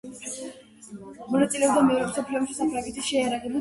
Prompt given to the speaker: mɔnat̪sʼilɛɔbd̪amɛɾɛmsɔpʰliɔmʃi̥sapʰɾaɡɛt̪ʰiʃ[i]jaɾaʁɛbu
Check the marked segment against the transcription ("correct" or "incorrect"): incorrect